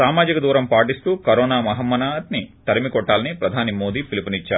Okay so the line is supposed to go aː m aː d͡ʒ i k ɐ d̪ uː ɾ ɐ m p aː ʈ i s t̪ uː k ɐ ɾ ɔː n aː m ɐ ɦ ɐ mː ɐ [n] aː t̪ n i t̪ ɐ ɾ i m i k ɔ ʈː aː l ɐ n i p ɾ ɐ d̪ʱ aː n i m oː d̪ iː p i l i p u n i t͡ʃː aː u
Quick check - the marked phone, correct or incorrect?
correct